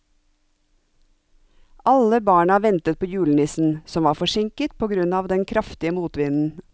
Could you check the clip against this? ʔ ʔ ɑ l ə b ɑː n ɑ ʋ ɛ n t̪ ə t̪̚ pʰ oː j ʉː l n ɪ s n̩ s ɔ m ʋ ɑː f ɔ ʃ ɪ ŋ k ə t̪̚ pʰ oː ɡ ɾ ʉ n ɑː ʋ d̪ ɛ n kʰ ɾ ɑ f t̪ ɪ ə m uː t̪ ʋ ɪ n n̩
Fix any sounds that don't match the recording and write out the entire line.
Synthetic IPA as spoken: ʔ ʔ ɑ l ə b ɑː ɳ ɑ ʋ ɛ n t̪ ə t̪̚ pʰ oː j ʉː l n ɪ s n̩ s ɔ m ʋ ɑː f ɔ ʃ ɪ ŋ k ə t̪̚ pʰ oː ɡ ɾ ʉ n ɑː ʋ d̪ ɛ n kʰ ɾ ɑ f t̪ ɪ ə m uː t̪ ʋ ɪ n n̩